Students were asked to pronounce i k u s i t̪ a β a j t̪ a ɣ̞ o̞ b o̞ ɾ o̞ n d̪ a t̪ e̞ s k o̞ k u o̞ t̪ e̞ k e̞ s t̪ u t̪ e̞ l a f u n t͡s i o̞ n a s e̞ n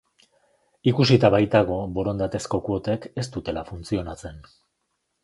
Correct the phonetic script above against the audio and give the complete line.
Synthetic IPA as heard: i k u s i t̪ a β a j t̪ a ɣ̞ o̞ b o̞ ɾ o̞ n d̪ a t̪ e̞ s k o̞ k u o̞ t̪ e̞ k e̞ s t̪ u t̪ e̞ l a f u n t͡s i o̞ n a t͡s e̞ n